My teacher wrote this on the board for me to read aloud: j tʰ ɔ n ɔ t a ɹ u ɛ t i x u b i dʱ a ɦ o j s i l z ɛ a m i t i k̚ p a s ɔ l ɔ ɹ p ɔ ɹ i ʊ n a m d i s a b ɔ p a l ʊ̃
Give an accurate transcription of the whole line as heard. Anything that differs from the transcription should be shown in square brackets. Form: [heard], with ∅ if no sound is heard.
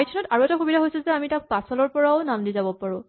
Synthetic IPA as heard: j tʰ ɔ n ɔ t a ɹ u ɛ t [a] x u b i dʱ a ɦ o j s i l z ɛ a m i t [a] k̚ p a s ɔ l ɔ ɹ p ɔ ɹ [a] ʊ n a m d i [z] a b ɔ p a [ɹ] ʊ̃